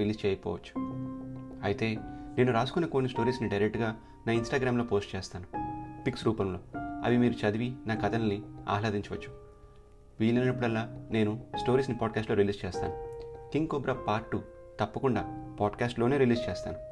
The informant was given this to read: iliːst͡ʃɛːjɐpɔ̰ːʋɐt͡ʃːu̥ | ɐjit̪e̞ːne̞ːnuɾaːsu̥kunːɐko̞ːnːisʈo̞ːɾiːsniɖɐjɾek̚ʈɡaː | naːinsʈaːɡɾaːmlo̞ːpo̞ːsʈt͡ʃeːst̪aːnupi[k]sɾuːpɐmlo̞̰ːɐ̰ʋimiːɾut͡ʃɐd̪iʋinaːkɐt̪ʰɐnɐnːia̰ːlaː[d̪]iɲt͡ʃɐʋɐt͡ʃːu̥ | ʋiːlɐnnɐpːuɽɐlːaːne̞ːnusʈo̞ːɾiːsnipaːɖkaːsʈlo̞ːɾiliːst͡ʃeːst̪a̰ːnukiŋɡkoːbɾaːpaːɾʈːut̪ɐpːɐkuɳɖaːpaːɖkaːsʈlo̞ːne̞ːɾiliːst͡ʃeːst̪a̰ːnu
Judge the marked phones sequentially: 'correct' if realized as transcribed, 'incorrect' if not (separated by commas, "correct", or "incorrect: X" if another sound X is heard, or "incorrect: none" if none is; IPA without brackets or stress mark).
correct, correct